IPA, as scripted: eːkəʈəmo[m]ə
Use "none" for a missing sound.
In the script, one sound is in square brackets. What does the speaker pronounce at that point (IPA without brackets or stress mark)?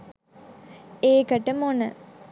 n